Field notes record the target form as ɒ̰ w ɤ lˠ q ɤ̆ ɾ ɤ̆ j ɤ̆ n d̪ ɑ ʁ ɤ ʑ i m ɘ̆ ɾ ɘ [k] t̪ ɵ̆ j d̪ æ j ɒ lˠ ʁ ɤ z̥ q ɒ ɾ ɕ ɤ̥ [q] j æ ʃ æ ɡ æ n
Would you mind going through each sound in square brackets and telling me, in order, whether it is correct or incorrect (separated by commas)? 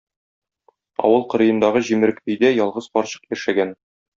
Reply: correct, correct